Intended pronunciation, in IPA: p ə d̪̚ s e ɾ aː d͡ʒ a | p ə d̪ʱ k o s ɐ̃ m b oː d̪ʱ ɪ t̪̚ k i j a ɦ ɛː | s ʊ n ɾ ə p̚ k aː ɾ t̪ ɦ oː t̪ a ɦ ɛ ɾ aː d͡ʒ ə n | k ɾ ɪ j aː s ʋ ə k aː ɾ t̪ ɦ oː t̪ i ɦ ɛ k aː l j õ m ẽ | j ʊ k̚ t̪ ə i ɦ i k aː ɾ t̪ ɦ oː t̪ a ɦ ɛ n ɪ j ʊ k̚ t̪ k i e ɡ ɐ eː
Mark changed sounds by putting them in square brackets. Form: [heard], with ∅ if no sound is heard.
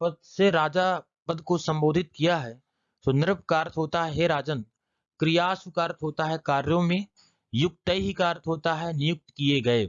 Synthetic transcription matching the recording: p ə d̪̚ s e ɾ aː d͡ʒ a | p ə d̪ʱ k o s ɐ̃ m b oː d̪ʱ ɪ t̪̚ k i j a ɦ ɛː | s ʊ n ɾ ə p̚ k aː ɾ t̪ ɦ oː t̪ a ɦ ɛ ɾ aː d͡ʒ ə n | k ɾ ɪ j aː s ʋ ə k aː ɾ t̪ ɦ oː t̪ [a] ɦ ɛ k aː [ɾ] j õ m ẽ | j ʊ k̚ t̪ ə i ɦ i k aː ɾ t̪ ɦ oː t̪ a ɦ ɛ n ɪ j ʊ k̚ t̪ k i e ɡ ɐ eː